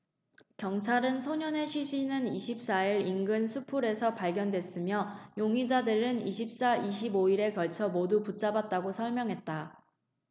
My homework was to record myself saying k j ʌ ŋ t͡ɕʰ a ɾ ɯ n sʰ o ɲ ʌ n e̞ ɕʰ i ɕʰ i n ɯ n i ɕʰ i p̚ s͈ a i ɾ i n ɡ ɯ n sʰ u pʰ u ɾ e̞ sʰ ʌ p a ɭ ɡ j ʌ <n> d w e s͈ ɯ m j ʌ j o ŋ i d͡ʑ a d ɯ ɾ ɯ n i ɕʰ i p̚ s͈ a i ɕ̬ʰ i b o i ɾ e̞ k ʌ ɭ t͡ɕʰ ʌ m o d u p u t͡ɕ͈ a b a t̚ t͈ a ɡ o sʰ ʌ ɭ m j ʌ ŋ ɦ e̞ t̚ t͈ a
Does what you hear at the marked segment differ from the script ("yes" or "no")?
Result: no